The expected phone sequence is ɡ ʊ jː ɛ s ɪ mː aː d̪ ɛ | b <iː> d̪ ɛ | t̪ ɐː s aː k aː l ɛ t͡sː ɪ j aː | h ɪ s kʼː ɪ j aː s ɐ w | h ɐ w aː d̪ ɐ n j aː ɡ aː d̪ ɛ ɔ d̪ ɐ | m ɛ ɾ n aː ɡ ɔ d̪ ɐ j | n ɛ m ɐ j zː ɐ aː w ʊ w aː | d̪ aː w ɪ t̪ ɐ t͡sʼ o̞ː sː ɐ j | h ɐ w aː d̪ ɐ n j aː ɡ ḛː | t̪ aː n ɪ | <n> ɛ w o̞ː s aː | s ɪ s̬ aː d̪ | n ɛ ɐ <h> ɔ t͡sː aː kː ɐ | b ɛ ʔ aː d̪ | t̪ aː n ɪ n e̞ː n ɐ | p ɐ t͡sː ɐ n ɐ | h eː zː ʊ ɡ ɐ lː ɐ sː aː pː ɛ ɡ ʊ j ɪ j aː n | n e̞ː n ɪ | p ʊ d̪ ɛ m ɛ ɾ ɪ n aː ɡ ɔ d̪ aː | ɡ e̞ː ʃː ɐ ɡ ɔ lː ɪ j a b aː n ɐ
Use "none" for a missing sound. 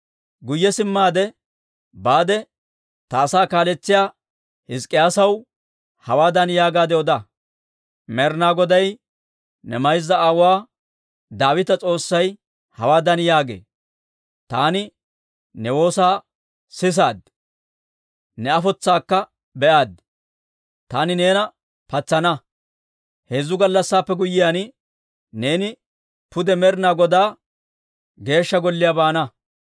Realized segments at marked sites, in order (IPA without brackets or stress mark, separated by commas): aː, n, f